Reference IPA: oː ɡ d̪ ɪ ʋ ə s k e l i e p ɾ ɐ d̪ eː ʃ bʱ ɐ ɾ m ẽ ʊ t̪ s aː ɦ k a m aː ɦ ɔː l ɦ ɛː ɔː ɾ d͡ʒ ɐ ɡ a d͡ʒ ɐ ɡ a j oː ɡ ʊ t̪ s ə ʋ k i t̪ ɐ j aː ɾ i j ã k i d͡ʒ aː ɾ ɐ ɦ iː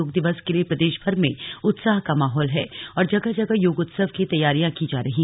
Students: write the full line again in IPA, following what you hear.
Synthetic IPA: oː ɡ d̪ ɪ ʋ ə s k e l i e p ɾ ɐ d̪ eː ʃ bʱ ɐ ɾ m ẽ ʊ t̪ s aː ɦ k a m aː ɦ ɔː l ɦ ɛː ɔː ɾ d͡ʒ ɐ ɡ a d͡ʒ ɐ ɡ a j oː ɡ ʊ t̪ s ə ʋ k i t̪ ɐ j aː ɾ i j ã k i d͡ʒ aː ɾ ɐ ɦ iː